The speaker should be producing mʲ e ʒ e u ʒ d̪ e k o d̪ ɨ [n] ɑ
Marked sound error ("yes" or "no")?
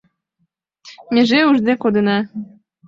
no